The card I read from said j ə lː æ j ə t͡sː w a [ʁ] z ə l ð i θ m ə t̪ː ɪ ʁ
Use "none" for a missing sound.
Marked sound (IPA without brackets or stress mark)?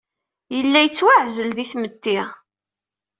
ʕ